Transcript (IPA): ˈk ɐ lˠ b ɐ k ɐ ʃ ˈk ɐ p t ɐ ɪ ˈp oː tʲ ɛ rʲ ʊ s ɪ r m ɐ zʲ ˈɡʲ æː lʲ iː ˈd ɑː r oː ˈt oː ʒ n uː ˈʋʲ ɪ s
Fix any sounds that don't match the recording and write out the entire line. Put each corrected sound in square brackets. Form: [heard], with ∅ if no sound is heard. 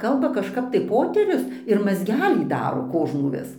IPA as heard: ˈk ɐ lˠ b ɐ k ɐ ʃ ˈk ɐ p t ɐ ɪ ˈp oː tʲ ɛ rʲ ʊ s ɪ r m ɐ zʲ ˈɡʲ æː lʲ iː ˈd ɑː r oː [ˈk] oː ʒ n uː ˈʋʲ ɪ s